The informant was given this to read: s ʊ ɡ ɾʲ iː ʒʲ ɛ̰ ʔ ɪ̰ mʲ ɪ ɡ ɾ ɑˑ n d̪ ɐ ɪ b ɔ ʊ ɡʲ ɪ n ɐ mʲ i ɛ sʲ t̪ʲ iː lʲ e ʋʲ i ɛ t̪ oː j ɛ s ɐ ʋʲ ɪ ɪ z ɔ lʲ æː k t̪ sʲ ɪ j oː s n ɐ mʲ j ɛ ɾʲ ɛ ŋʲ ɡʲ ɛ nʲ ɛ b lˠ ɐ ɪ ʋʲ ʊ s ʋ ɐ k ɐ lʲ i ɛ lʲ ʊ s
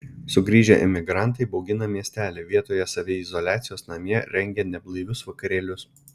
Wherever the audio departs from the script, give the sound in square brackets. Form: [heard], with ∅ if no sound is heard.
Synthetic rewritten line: s ʊ ɡ ɾʲ iː ʒʲ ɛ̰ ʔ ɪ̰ mʲ ɪ ɡ ɾ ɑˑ n [t̪] ɐ ɪ b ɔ ʊ ɡʲ ɪ n ɐ mʲ i ɛ sʲ t̪ʲ [æː] lʲ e ʋʲ i ɛ t̪ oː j ɛ s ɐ ʋʲ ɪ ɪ z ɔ lʲ æː [∅] t̪ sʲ ɪ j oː s n ɐ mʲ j ɛ ɾʲ ɛ ŋʲ ɡʲ ɛ nʲ ɛ b lˠ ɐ ɪ ʋʲ ʊ s ʋ ɐ k ɐ [ɾʲ] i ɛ lʲ ʊ s